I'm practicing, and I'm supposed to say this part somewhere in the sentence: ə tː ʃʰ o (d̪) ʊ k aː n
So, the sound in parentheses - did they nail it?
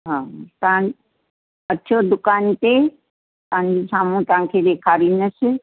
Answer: yes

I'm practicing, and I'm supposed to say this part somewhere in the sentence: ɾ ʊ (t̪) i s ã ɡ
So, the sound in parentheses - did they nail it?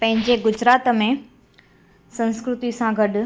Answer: yes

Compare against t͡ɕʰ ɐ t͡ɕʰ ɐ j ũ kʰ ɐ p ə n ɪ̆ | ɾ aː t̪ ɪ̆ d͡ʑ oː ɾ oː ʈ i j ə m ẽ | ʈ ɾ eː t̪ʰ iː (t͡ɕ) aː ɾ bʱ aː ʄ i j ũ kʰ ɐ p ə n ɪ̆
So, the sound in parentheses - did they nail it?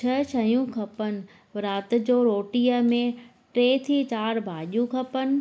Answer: yes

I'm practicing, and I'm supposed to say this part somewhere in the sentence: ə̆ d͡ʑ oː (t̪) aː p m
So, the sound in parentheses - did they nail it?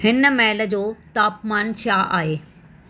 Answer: yes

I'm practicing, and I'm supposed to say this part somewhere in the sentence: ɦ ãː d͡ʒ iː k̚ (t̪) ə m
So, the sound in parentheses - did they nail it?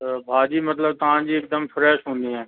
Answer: no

